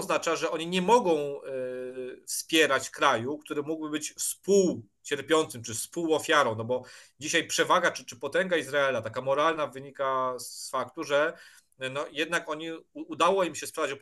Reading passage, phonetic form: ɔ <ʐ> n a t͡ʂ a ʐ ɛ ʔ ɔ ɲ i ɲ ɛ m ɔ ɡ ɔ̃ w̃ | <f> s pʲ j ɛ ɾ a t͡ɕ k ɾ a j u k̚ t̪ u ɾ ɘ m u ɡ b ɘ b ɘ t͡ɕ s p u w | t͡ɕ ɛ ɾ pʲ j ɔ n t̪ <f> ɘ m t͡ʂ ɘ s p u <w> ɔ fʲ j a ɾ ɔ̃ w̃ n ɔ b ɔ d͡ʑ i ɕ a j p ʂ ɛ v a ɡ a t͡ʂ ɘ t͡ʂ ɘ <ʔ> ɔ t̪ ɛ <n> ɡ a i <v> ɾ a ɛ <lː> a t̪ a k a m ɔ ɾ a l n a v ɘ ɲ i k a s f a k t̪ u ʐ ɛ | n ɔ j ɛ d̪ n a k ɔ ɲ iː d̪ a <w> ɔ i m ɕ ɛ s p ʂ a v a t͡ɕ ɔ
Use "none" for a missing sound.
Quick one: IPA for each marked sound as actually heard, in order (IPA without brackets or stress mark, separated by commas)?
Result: z, f, s, w, p, ŋ, z, l, w